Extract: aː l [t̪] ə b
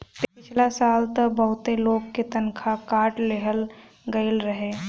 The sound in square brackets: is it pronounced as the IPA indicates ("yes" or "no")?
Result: yes